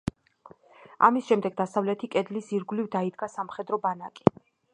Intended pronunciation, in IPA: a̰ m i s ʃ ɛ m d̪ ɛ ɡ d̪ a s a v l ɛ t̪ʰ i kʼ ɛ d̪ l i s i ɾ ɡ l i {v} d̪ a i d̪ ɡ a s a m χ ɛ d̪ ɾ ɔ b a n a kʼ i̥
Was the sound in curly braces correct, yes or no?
yes